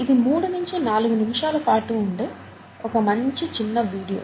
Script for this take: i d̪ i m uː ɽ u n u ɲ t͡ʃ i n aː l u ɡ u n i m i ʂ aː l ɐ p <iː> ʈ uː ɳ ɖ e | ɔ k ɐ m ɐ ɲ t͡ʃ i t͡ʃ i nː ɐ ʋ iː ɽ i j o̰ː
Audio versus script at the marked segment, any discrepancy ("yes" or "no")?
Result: yes